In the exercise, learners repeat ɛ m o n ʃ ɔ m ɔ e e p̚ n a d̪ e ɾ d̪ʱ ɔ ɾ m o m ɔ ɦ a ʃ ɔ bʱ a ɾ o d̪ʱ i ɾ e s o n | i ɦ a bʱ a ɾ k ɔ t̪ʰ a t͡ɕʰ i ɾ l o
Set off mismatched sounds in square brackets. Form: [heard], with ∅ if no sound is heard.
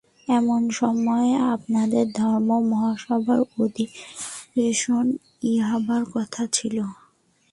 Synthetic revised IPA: ɛ m o n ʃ ɔ m ɔ e [a] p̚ n a d̪ e ɾ d̪ʱ ɔ ɾ m o m ɔ ɦ a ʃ ɔ bʱ a ɾ o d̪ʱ i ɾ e [ʃ] o n | i ɦ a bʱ a ɾ k ɔ t̪ʰ a t͡ɕʰ i [∅] l o